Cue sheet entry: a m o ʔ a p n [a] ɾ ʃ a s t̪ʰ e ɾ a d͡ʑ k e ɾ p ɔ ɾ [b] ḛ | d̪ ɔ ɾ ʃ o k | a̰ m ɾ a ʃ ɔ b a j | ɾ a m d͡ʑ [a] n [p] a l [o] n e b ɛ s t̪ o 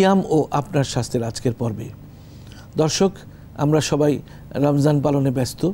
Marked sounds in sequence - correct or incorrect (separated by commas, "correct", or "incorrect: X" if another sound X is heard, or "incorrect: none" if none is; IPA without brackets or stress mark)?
correct, correct, correct, correct, correct